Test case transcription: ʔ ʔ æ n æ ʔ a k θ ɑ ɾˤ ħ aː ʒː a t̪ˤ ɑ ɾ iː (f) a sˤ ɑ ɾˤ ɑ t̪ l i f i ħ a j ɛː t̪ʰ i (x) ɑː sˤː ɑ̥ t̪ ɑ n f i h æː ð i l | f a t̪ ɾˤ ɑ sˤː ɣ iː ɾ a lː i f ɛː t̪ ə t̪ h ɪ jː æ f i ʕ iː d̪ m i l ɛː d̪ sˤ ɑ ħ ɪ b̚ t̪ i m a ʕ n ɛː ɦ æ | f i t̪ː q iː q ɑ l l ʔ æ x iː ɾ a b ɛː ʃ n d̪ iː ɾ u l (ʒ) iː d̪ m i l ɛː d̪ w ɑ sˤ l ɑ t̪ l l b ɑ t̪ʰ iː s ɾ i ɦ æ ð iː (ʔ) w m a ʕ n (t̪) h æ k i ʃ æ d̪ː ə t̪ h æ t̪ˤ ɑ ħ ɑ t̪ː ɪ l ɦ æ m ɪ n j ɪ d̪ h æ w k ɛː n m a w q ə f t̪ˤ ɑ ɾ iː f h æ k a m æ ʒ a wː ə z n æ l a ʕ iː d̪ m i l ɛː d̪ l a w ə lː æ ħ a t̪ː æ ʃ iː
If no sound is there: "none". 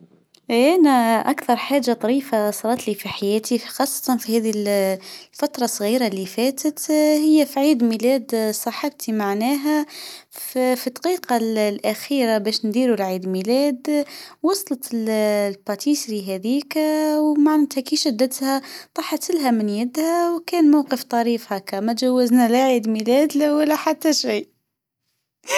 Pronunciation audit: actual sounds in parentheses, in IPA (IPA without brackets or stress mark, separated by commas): f, x, ʕ, k, t̪